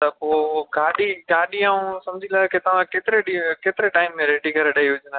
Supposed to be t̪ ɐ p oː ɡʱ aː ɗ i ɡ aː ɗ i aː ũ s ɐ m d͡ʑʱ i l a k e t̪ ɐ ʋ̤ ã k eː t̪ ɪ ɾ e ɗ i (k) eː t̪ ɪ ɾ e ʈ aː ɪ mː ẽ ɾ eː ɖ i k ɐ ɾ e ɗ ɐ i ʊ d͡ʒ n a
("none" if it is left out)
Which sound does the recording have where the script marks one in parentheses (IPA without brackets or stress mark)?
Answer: k